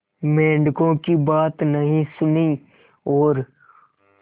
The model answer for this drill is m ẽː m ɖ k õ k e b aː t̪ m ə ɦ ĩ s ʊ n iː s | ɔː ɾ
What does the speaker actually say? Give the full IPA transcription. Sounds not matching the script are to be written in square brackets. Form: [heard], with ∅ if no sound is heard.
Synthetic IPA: m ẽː [ɳ] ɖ k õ k [i] b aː t̪ [n] ə ɦ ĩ s ʊ n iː [∅] | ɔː ɾ